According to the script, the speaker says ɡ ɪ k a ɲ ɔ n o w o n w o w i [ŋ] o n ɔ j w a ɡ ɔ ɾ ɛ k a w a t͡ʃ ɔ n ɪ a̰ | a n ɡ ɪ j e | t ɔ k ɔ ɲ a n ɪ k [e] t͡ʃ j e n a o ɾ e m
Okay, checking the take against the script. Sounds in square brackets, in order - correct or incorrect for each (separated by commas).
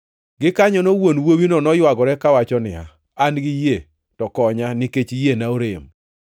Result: incorrect, correct